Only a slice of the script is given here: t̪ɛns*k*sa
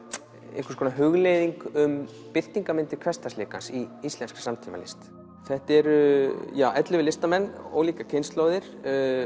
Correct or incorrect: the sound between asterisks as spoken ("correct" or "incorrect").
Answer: correct